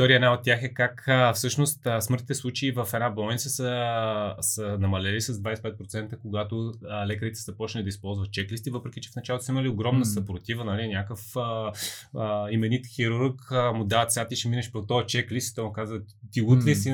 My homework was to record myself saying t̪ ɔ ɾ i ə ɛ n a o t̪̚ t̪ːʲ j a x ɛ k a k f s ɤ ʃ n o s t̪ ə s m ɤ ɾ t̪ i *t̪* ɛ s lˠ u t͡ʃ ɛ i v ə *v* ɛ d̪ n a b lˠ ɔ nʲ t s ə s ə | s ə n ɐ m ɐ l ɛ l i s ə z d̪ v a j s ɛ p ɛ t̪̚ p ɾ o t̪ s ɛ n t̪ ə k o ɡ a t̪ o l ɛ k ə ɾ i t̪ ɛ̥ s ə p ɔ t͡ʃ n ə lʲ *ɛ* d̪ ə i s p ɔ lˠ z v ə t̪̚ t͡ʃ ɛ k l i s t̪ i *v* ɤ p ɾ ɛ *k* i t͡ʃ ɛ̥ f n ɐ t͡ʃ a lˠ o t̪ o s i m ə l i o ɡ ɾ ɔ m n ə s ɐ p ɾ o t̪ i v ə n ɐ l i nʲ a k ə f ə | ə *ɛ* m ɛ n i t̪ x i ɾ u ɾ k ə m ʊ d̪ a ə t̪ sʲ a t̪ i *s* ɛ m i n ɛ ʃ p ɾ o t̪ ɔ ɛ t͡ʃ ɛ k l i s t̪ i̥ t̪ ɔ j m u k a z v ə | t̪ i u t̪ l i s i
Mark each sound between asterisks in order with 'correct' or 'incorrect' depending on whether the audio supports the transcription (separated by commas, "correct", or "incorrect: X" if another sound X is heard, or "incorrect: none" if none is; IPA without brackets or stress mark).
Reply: correct, incorrect: f, incorrect: i, correct, correct, incorrect: i, incorrect: ʃ